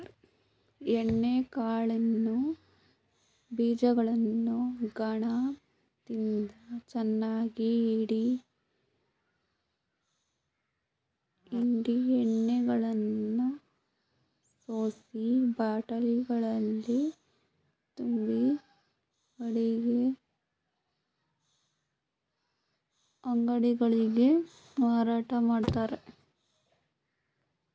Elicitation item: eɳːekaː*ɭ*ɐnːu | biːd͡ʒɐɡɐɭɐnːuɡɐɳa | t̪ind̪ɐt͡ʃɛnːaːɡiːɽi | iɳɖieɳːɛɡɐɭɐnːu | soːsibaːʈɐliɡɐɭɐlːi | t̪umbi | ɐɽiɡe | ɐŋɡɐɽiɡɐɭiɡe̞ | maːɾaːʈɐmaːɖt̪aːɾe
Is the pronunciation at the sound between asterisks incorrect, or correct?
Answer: correct